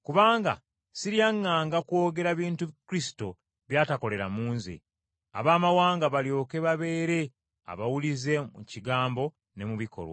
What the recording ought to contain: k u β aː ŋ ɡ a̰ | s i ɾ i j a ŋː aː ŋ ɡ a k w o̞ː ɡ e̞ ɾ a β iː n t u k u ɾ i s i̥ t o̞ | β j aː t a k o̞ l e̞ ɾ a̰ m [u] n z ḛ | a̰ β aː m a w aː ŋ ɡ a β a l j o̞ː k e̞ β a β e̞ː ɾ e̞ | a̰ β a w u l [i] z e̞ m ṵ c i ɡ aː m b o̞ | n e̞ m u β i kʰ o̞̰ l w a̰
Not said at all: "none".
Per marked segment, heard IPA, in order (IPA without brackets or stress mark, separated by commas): uː, i